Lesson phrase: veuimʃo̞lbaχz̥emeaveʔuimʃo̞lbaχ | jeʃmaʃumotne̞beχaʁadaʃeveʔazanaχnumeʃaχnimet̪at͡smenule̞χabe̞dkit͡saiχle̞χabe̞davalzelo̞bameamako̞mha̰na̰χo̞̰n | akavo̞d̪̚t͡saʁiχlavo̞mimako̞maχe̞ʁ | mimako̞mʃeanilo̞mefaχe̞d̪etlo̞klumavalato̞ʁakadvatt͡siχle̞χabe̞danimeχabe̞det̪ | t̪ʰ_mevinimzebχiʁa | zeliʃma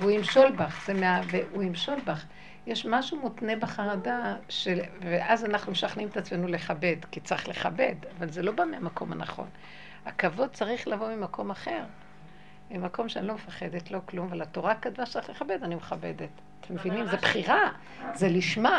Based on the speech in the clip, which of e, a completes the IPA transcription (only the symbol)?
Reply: e